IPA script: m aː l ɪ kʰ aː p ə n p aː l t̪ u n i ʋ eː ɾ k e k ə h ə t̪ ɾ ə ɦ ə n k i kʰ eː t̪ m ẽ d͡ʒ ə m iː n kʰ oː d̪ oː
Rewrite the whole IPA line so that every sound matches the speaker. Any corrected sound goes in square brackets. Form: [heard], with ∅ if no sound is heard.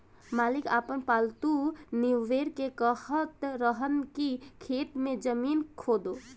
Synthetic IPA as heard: m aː l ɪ [k] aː p ə n p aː l t̪ u n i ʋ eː ɾ k e k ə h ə t̪ ɾ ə ɦ ə n k i kʰ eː t̪ m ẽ d͡ʒ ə m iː n kʰ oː d̪ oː